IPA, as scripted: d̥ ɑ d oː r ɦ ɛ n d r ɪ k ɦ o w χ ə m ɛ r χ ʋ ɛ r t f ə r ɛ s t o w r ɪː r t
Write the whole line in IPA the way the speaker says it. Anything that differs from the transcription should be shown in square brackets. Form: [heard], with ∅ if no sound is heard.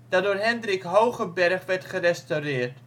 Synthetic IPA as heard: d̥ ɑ d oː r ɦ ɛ n d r ɪ k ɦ o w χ ə [b] ɛ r χ ʋ ɛ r t [χ] ə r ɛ s t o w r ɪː r t

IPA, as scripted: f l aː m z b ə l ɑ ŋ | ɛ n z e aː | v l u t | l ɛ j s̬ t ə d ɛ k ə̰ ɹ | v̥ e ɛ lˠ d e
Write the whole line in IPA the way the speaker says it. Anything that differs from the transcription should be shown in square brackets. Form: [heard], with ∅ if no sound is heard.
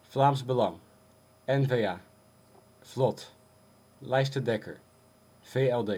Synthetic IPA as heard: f l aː m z b ə l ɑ ŋ | ɛ n [v] e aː | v l [ɔ] t | l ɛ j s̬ t ə d ɛ k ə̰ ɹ | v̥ e ɛ lˠ d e

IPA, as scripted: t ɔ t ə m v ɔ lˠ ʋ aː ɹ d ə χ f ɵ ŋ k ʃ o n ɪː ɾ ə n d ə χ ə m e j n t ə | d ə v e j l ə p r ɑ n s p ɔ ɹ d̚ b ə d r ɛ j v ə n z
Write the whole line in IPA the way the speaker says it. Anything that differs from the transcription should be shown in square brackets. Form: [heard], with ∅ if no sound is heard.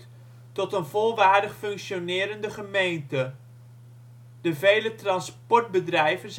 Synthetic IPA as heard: t ɔ t ə [n] v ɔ lˠ ʋ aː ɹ d ə χ f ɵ ŋ k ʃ o n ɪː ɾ ə n d ə χ ə m e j n t ə | d ə v e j l ə [t] r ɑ n s p ɔ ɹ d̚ b ə d r ɛ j v ə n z

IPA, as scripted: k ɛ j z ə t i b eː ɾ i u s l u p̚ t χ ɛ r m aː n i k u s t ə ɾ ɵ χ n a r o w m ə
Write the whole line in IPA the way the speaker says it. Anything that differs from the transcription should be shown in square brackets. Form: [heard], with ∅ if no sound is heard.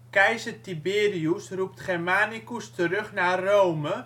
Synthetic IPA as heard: k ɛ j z ə t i b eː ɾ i u s [r] u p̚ t χ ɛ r m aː n i k u s t ə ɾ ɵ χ n a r o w m ə

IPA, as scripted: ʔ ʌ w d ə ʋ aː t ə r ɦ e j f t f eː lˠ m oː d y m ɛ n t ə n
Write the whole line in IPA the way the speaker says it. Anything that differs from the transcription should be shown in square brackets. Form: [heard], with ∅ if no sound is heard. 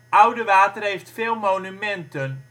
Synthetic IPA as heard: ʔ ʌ w d ə ʋ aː t ə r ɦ e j f t f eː lˠ m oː [n] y m ɛ n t ə n

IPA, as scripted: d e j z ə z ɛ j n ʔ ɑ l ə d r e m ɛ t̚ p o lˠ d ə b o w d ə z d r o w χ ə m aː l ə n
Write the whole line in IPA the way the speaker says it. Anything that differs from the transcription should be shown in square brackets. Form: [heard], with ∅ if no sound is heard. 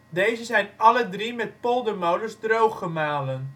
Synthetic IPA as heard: d e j z ə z ɛ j n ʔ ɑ l ə d r [i] m ɛ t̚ p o lˠ d ə [m] o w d ə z d r o w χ ə m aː l ə n

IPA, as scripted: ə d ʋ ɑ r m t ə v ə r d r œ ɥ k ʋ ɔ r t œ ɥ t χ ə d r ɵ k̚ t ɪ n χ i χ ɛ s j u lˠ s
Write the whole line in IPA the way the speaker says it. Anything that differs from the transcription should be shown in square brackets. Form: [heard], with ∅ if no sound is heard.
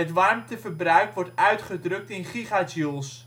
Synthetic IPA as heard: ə [t] ʋ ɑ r m t ə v ə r [b] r œ ɥ k ʋ ɔ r t œ ɥ t χ ə d r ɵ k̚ t ɪ n χ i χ [a] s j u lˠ s

